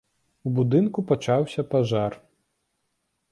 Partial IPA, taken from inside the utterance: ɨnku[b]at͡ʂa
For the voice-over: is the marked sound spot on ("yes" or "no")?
no